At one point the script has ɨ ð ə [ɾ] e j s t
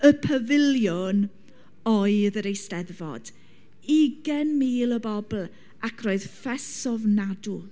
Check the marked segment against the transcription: correct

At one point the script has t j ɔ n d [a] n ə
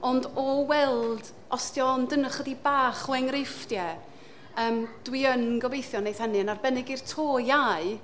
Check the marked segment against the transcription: incorrect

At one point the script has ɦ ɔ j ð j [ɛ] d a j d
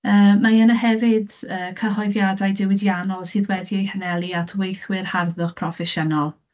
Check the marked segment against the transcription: incorrect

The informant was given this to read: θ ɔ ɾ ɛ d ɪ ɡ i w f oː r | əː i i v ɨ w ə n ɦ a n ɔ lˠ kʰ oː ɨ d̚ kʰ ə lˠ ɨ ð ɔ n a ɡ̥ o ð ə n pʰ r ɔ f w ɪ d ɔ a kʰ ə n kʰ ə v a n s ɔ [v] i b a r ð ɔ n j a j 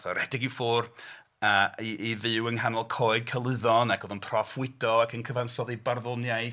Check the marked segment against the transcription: incorrect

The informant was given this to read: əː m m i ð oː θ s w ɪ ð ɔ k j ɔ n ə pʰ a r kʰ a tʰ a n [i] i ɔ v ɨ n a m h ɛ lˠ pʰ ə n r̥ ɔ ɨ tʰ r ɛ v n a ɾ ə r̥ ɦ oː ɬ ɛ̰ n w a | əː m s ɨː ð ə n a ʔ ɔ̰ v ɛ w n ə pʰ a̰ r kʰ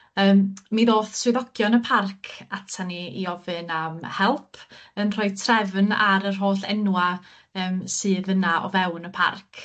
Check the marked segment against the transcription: correct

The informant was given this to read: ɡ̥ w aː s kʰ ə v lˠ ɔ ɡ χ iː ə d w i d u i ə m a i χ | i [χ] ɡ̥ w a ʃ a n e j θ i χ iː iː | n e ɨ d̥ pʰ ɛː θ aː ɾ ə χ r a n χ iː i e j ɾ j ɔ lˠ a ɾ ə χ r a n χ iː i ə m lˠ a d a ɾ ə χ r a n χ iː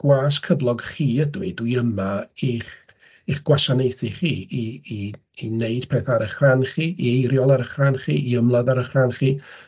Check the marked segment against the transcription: correct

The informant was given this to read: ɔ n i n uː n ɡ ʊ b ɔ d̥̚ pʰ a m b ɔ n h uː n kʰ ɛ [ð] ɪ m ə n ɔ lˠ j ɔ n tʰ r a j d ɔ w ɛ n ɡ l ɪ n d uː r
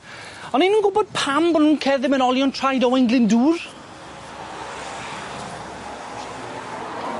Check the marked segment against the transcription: correct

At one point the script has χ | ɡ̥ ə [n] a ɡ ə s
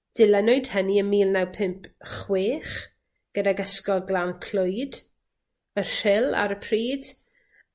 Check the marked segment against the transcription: incorrect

